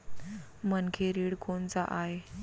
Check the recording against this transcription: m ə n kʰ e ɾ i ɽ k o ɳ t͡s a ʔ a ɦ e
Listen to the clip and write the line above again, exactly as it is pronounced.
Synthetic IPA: m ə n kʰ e ɾ i ɽ k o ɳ t͡s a ʔ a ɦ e